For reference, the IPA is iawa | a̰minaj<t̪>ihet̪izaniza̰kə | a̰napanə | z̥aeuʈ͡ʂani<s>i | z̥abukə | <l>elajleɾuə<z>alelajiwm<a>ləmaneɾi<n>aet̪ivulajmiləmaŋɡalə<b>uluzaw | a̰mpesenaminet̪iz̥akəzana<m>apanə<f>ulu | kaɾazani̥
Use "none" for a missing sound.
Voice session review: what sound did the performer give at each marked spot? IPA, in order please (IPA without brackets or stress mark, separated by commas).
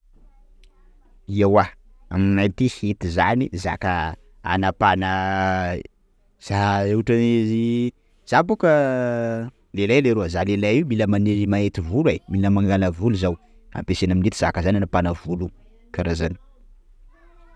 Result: t̪, z, l, z, i, m, v, n, v